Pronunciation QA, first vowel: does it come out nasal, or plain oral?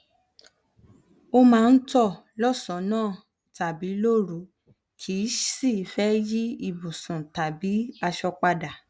oral